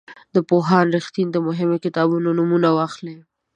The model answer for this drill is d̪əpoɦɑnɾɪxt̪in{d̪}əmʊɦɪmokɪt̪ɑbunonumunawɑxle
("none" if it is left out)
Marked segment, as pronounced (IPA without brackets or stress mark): d̪